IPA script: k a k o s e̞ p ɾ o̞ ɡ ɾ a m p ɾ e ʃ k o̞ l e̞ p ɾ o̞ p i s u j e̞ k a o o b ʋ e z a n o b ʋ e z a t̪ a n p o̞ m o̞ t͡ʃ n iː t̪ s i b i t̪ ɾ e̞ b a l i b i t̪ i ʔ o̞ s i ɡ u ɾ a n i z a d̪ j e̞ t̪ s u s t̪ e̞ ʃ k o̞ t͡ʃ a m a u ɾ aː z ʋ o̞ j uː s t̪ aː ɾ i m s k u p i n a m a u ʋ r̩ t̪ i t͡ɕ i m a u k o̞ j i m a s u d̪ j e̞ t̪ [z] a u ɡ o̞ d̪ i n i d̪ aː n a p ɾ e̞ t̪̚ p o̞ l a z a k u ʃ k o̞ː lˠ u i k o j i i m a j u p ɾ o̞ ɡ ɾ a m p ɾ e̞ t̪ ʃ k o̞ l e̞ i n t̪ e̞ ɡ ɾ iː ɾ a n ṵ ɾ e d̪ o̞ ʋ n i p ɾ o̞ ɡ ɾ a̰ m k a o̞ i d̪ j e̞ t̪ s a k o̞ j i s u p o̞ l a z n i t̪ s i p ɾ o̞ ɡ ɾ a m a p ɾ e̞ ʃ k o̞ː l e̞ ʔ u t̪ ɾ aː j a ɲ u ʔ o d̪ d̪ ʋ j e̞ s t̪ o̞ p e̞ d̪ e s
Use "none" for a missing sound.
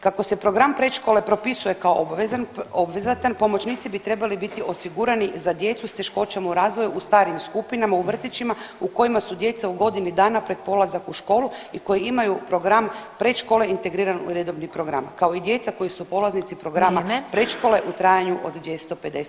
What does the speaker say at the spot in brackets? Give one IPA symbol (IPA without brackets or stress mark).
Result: s